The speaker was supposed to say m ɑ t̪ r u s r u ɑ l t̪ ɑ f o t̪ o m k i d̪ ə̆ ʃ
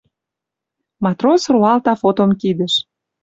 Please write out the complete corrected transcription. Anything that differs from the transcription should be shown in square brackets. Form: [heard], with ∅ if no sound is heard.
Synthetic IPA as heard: m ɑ t̪ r [o] s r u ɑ l t̪ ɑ f o t̪ o m k i d̪ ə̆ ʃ